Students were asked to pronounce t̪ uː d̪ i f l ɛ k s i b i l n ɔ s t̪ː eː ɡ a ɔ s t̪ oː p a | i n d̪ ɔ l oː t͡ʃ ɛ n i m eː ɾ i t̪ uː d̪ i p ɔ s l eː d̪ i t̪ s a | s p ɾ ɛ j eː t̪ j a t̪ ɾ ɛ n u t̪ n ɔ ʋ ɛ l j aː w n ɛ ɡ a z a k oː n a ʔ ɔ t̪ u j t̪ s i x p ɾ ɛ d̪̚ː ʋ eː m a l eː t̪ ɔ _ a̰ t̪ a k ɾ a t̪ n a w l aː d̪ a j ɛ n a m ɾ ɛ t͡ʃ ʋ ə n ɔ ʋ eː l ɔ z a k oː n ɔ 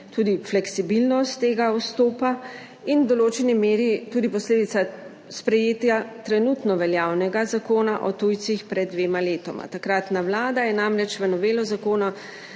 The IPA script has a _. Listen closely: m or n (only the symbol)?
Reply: m